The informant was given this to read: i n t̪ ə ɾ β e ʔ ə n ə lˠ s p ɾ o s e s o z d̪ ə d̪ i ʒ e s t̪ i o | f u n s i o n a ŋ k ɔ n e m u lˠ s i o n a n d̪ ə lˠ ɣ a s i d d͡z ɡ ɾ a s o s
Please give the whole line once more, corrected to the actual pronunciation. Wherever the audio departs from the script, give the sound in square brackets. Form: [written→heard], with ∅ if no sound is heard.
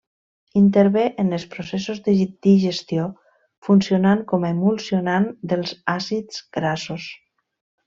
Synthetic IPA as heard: i n t̪ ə ɾ β e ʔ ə n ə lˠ s p ɾ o s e s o z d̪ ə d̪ i ʒ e s t̪ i o | f u n s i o n a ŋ k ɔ [n→m] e m u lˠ s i o n a n d̪ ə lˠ [ɣ→z] a s i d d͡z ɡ ɾ a s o s